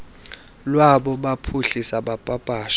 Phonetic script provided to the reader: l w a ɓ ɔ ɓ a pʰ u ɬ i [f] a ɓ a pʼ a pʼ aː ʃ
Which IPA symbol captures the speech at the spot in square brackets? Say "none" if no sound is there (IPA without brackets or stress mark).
s